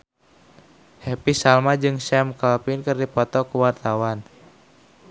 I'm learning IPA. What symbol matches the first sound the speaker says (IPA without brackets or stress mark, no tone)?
h